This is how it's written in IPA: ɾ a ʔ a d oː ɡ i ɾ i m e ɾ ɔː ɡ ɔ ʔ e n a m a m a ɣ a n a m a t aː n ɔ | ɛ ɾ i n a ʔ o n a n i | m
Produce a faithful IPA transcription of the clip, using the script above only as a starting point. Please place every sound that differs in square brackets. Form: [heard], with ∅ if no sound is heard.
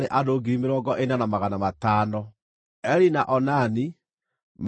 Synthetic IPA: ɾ [e] ʔ a d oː ɡ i ɾ i m e ɾ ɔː ɡ ɔ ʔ e n a [n] a m a ɣ a n a m a t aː n ɔ | ɛ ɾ i n a ʔ [ɔ] n a n i | m